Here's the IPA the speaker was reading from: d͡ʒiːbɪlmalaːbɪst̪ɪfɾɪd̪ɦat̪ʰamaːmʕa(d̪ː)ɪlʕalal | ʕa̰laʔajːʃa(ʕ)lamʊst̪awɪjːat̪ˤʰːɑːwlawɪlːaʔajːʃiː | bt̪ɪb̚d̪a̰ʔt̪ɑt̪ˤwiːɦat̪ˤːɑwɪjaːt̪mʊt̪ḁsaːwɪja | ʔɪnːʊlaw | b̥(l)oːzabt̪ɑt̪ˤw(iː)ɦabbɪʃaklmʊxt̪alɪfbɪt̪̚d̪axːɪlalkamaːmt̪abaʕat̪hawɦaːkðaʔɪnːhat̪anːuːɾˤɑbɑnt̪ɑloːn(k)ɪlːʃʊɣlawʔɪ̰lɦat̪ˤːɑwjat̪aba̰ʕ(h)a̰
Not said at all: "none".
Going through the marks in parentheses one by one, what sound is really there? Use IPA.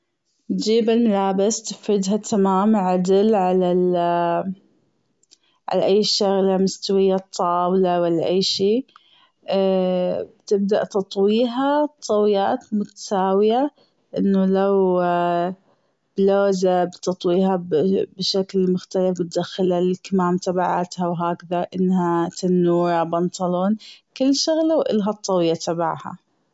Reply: d̪, ɣ, l, iː, k, h

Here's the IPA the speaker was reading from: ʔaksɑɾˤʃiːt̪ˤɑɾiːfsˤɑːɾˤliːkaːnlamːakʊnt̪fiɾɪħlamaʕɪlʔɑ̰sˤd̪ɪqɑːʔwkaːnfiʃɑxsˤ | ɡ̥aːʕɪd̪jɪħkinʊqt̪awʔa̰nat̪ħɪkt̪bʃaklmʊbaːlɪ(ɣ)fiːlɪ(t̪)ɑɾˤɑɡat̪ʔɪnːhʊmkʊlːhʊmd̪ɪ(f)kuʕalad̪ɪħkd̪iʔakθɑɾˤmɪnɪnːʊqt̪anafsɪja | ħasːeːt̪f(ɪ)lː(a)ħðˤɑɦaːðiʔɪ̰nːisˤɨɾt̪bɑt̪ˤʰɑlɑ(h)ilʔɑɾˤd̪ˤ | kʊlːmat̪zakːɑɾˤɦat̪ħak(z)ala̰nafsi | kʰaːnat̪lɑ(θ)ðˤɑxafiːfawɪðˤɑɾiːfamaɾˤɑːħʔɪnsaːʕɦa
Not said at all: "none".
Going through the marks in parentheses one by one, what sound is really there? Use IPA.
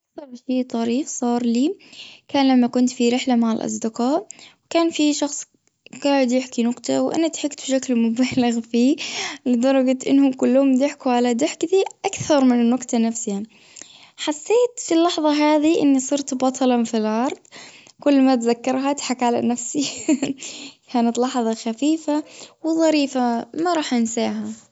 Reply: ɣ, d̪, ħ, i, ɑ, f, ʕ, ħ

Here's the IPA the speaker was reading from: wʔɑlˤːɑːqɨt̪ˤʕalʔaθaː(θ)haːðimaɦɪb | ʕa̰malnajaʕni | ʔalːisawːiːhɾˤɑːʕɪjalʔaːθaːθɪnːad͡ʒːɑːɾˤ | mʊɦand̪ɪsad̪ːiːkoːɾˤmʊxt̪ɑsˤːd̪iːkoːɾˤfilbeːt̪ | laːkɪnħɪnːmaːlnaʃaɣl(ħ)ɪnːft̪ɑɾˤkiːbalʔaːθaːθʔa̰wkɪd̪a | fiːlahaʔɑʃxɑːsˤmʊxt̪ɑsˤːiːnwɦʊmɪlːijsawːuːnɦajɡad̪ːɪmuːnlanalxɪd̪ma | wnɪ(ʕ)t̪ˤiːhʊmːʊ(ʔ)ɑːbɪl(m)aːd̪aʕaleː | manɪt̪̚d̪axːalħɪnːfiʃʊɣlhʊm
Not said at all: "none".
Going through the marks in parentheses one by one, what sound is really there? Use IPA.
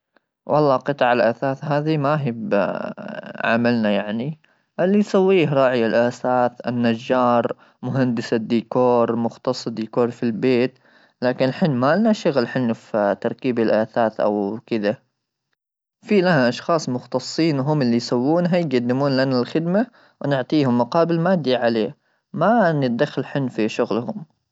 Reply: θ, ħ, ʕ, q, m

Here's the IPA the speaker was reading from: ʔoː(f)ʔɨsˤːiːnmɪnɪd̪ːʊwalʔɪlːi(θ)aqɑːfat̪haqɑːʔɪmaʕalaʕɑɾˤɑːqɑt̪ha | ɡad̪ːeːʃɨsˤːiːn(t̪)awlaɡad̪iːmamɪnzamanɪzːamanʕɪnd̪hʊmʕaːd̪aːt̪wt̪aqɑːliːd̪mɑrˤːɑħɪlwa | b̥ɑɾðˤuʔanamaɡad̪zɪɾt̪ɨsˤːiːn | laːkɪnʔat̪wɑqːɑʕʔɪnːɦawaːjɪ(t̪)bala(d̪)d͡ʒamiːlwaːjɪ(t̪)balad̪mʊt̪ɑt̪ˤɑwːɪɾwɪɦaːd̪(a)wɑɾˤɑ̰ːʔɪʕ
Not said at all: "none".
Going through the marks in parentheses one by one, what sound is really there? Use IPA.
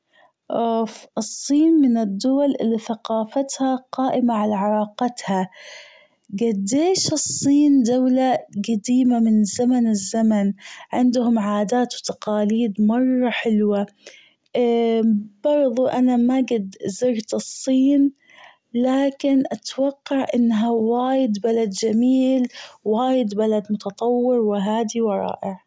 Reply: f, θ, d̪, d̪, d̪, d̪, i

